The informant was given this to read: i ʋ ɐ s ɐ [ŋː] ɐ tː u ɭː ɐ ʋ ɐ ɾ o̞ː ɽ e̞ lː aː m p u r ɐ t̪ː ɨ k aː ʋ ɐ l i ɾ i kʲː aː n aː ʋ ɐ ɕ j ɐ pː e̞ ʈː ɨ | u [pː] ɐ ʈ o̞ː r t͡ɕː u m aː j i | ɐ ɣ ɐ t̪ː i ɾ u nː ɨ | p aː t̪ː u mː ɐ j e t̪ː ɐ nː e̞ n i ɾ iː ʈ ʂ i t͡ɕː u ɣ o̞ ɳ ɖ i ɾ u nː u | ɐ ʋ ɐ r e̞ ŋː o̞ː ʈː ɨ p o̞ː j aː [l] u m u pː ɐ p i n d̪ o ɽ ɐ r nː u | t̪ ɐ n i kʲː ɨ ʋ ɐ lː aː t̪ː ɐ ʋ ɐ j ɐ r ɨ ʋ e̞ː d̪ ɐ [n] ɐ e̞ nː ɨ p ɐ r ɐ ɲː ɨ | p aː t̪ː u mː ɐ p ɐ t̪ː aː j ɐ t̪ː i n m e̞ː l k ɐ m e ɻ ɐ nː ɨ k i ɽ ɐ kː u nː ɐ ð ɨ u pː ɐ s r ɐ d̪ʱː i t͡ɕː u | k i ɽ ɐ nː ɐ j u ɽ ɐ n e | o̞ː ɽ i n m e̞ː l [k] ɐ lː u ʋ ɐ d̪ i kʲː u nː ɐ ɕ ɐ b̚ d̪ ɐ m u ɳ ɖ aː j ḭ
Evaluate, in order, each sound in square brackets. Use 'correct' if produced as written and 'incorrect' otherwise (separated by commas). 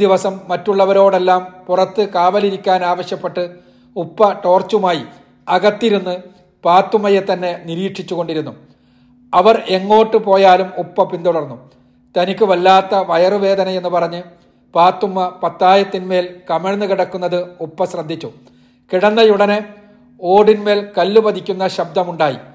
incorrect, correct, correct, correct, correct